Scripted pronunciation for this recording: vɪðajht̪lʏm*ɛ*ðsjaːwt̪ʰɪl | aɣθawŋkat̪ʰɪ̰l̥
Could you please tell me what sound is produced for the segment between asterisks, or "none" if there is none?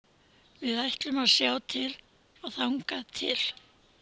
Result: a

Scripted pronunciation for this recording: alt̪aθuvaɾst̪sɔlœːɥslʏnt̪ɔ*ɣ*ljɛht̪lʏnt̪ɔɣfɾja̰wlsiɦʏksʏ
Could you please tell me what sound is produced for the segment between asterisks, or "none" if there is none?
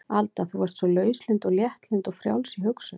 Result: ɣ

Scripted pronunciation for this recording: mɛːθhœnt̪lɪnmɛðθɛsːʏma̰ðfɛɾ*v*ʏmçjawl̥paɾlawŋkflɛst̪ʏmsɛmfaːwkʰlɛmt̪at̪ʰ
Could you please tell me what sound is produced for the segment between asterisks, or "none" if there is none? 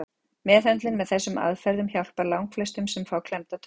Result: ð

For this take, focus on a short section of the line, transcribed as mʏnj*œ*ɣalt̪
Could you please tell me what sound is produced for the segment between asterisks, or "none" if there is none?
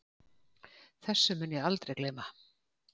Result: ɛ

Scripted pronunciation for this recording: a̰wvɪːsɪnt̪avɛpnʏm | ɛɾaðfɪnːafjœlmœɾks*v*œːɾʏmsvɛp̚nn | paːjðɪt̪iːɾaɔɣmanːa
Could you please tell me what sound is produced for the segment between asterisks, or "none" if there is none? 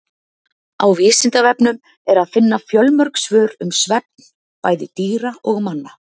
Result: v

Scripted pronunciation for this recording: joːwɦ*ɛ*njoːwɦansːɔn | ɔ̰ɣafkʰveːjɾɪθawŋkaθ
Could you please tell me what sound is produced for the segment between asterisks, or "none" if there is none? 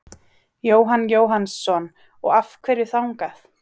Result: a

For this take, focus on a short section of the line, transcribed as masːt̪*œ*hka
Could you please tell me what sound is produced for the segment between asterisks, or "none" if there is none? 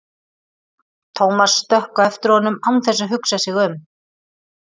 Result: œ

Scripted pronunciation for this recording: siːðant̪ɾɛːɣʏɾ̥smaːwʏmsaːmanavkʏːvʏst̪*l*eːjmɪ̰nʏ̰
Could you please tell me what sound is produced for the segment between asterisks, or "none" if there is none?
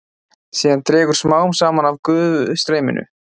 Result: ɾ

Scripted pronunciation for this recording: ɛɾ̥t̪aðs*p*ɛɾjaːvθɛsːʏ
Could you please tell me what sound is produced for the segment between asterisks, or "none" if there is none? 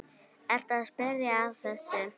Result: p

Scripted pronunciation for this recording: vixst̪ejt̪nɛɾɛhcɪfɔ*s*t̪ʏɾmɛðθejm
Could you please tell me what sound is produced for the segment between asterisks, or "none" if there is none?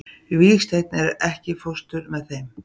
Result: s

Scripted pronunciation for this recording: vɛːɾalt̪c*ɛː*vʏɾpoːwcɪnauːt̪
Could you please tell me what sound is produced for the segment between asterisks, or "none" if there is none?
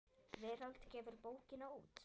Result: ɛː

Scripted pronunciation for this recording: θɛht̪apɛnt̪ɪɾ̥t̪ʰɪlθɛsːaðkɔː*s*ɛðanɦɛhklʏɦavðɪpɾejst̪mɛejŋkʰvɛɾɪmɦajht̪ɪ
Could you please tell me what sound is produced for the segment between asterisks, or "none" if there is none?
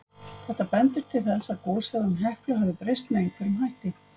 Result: s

